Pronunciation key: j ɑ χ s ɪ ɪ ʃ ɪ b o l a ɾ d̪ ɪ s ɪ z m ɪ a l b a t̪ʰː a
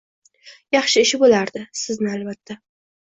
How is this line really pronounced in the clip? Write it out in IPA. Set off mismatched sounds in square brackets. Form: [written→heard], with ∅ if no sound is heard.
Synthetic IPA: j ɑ χ [s→ʃ] ɪ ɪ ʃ ɪ b o l a ɾ d̪ ɪ s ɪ z [m→n] ɪ a l b a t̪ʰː a